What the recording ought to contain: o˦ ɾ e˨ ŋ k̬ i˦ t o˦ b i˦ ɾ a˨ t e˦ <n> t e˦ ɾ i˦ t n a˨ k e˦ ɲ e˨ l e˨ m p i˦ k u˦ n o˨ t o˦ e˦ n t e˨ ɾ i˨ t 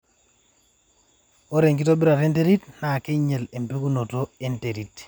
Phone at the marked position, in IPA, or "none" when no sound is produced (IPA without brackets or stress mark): n